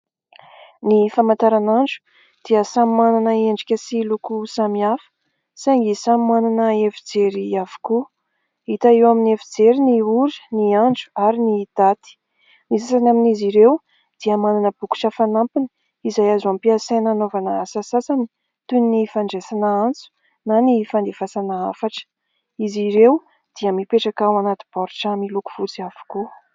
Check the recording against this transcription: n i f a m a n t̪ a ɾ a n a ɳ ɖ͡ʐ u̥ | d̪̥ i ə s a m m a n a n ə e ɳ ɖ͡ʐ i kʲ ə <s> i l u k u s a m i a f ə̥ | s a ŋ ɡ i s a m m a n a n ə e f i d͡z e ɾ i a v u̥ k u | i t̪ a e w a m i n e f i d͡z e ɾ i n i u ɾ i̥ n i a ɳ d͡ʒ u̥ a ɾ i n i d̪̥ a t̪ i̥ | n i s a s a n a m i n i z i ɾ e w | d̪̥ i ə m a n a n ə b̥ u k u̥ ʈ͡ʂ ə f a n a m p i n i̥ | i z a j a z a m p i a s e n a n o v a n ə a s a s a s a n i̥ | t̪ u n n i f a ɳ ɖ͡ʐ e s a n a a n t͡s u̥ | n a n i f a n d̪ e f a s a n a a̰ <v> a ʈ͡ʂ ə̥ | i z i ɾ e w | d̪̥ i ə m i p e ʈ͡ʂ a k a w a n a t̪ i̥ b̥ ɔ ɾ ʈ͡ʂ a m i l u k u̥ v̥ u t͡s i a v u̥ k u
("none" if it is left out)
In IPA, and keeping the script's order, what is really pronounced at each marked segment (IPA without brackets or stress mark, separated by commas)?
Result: s, f